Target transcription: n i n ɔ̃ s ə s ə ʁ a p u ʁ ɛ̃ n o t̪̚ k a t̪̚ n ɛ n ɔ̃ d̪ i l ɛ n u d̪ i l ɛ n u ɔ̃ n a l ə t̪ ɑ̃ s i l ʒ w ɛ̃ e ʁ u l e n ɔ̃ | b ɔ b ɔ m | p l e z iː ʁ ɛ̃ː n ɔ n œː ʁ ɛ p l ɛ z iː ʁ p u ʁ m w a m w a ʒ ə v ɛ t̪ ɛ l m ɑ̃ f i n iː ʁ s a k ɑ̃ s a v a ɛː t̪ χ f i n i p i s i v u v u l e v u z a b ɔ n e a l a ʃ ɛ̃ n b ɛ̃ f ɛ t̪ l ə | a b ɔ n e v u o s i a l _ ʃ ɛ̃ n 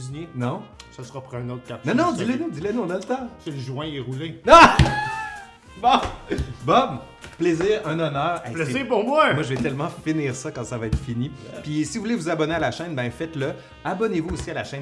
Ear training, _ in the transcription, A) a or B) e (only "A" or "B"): A